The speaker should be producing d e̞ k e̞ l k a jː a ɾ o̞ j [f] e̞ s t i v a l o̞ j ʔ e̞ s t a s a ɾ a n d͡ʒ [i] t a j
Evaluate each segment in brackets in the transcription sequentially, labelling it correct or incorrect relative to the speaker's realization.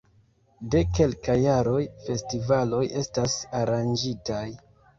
correct, correct

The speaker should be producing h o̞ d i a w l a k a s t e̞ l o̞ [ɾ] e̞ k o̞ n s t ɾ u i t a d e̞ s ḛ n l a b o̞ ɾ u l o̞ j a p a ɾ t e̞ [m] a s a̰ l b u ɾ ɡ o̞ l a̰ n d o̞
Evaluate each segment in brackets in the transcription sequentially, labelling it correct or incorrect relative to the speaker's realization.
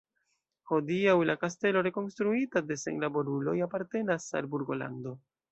correct, incorrect: n

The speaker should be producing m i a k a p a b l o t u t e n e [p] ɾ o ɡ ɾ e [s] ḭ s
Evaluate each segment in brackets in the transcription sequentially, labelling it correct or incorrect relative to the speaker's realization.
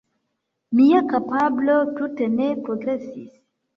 correct, correct

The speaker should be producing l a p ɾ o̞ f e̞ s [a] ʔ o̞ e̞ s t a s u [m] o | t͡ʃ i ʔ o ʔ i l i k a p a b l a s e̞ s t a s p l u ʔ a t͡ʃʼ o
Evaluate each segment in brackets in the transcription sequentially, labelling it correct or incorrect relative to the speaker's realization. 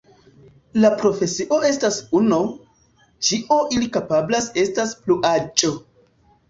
incorrect: i, incorrect: n

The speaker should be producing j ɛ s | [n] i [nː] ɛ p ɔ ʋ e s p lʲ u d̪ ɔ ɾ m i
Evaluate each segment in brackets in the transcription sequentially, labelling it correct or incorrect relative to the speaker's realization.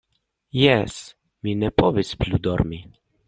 incorrect: m, incorrect: n

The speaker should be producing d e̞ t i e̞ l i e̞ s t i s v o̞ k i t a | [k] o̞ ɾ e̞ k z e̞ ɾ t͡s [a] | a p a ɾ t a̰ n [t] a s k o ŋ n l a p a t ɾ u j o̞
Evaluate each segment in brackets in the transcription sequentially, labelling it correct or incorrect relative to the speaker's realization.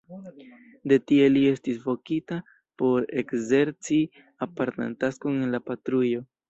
incorrect: p, incorrect: i, correct

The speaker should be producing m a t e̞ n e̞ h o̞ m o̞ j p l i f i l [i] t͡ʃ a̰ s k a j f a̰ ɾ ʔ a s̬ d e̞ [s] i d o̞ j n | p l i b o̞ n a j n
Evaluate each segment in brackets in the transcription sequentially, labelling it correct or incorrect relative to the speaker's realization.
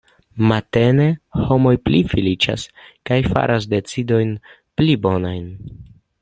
correct, incorrect: t͡s

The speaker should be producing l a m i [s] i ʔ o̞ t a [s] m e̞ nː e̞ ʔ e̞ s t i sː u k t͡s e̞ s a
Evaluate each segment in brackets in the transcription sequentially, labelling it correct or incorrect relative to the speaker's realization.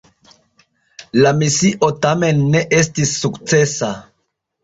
correct, incorrect: none

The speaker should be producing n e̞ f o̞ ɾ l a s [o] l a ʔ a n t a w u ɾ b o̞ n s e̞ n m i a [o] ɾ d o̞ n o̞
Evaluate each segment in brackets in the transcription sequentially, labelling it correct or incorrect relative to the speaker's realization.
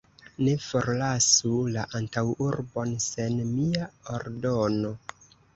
incorrect: u, correct

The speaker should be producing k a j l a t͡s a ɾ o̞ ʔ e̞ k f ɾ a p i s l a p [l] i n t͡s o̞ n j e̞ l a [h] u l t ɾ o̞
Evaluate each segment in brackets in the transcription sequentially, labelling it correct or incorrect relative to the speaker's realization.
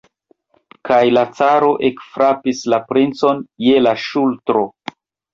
incorrect: ɾ, incorrect: ʃ

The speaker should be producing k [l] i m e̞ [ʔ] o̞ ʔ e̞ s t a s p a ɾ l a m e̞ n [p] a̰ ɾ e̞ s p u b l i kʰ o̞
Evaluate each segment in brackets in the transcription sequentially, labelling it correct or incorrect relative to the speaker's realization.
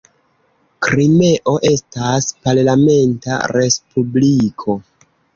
incorrect: ɾ, correct, incorrect: t

